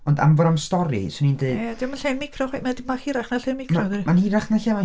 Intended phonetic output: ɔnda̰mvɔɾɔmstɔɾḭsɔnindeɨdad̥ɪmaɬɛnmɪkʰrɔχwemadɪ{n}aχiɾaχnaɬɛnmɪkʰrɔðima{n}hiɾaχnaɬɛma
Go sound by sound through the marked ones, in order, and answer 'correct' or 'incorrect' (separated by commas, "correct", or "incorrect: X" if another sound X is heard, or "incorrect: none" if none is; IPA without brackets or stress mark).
incorrect: m, correct